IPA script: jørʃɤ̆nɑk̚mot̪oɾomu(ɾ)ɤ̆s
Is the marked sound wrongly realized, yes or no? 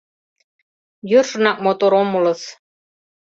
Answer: yes